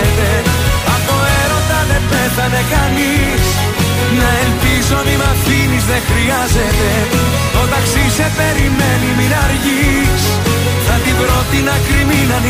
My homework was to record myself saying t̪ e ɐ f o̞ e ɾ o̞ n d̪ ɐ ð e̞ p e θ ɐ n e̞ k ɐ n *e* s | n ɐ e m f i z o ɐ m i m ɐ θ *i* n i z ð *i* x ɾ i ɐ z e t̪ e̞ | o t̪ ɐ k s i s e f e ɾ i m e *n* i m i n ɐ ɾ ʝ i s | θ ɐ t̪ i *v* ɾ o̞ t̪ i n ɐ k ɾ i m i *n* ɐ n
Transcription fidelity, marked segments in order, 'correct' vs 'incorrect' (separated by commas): incorrect, correct, incorrect, correct, incorrect, correct